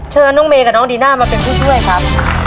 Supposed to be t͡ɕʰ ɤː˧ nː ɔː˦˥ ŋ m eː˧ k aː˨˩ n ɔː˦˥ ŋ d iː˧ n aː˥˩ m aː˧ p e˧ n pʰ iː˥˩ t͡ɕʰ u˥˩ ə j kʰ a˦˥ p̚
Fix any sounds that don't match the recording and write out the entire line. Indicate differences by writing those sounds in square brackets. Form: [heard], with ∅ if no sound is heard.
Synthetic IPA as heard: t͡ɕʰ ɤː˧ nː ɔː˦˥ ŋ m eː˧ k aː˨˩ n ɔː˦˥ ŋ d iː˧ n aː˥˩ m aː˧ p e˧ n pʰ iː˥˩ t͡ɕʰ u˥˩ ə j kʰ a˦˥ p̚